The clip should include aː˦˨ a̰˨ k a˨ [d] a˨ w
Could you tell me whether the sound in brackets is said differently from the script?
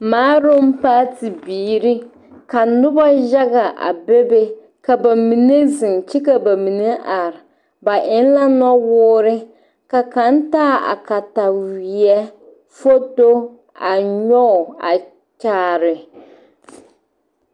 yes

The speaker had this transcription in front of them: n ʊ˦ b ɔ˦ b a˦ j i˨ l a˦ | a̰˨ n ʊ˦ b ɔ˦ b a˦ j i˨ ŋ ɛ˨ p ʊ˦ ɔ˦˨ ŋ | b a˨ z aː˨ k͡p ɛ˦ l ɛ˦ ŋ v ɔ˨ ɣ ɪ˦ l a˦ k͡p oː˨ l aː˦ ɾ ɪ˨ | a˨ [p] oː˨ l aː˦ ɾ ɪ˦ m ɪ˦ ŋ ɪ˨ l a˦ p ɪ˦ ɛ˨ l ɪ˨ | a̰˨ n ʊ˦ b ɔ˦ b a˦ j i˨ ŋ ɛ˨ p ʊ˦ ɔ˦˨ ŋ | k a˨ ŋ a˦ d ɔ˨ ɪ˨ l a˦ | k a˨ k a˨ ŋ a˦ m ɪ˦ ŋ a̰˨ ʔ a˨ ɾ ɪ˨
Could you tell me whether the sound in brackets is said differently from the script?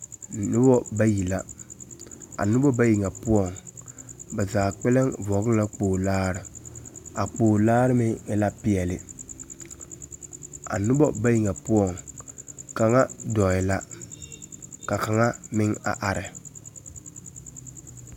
yes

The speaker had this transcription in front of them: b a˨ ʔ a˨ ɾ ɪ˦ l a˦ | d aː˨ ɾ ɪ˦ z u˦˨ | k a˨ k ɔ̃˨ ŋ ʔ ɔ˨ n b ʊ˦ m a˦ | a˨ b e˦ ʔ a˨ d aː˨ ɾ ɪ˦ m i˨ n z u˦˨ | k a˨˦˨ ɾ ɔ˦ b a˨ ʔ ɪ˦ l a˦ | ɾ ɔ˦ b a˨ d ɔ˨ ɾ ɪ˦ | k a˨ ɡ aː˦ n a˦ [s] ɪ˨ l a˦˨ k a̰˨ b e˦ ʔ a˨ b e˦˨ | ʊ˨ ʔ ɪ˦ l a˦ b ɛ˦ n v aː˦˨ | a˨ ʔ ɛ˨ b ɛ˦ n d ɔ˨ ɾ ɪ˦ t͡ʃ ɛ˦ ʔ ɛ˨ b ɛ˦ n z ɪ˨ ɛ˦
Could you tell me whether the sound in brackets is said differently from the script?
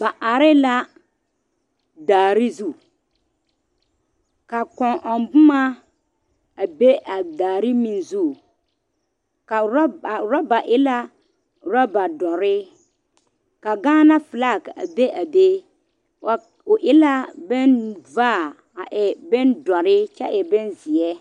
yes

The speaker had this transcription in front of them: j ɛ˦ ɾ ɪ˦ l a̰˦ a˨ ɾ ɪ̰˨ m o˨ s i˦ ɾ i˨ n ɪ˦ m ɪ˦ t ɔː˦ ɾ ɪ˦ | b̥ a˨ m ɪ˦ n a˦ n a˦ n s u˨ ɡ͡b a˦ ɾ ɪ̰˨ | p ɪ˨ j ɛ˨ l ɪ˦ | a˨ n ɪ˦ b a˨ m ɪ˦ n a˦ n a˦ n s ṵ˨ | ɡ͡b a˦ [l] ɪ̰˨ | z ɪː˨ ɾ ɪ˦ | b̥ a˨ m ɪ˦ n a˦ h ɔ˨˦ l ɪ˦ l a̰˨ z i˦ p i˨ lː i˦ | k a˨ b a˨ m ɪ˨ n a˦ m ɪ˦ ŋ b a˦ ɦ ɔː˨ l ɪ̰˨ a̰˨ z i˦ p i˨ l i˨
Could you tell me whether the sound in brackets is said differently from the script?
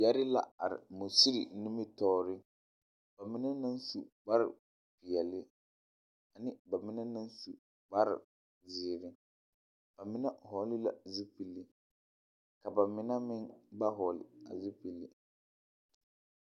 yes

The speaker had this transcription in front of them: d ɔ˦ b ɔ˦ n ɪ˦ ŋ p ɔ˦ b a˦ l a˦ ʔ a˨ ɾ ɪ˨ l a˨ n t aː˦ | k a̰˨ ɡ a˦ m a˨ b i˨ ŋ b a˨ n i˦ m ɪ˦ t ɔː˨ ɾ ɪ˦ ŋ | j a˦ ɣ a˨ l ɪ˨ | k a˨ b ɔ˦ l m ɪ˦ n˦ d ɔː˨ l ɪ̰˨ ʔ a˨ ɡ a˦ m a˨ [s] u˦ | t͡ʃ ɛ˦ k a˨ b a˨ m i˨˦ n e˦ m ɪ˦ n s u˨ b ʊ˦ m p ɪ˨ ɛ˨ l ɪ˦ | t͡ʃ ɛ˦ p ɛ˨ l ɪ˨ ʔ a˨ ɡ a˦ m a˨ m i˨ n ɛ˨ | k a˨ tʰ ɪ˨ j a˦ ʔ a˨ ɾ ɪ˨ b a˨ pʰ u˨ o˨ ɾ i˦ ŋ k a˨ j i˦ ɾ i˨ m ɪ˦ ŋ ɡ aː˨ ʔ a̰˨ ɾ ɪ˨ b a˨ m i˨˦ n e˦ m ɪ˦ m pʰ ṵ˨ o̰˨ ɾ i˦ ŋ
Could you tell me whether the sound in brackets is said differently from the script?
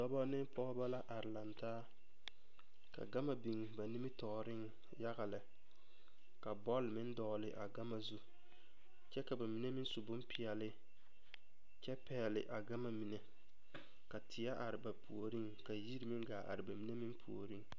yes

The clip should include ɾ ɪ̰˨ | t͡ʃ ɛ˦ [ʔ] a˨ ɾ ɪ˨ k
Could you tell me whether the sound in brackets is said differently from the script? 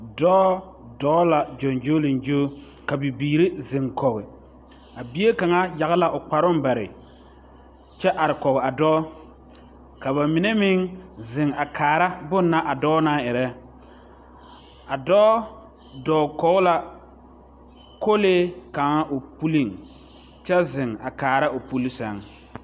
no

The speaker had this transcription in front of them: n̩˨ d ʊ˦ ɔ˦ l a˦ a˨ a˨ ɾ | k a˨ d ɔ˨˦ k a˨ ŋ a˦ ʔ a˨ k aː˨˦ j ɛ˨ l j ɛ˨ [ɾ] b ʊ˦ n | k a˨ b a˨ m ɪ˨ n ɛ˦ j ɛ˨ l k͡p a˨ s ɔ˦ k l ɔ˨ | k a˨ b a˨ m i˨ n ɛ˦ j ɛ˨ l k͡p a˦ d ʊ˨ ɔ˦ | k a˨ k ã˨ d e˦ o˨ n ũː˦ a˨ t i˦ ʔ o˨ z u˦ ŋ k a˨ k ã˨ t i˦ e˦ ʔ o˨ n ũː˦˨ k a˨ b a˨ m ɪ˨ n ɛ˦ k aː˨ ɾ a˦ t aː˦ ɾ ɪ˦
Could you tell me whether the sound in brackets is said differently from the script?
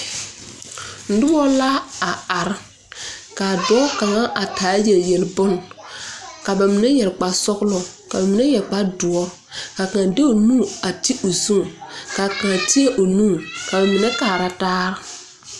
yes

